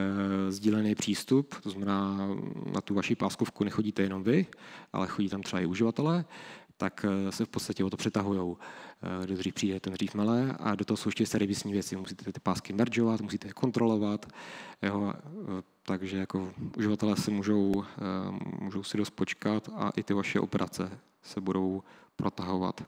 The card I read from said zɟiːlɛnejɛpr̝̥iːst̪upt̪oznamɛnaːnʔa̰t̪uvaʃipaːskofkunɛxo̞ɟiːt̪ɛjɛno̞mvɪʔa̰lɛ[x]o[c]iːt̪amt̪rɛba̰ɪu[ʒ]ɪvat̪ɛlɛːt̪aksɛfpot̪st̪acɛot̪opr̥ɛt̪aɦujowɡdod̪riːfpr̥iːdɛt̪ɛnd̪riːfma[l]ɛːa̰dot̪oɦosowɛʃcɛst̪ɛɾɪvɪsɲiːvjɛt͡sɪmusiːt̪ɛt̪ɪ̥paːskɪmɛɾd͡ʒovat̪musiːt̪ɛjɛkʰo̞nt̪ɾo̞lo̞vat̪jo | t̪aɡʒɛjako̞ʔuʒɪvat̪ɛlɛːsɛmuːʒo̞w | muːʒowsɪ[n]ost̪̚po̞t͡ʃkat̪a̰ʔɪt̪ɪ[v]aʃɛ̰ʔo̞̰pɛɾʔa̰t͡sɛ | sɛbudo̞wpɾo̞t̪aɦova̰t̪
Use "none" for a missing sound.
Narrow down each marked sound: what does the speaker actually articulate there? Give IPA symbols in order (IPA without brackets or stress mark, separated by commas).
x, ɟ, ʒ, l, d, v